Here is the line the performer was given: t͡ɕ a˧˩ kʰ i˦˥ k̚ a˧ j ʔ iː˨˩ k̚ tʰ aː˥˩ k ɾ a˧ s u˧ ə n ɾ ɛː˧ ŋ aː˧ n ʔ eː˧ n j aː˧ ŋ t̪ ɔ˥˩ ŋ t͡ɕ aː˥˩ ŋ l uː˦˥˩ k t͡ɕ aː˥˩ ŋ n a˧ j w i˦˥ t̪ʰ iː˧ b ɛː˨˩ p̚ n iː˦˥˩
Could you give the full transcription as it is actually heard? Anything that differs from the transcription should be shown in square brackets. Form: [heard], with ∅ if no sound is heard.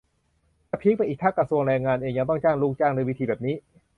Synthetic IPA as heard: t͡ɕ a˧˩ [pʰ] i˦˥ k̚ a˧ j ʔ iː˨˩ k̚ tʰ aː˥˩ k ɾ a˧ s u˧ ə [ŋ] ɾ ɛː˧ ŋ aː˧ n ʔ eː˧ [ŋ] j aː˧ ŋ t̪ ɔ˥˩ ŋ t͡ɕ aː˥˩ ŋ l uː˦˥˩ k t͡ɕ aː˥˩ ŋ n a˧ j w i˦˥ t̪ʰ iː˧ b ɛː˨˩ p̚ n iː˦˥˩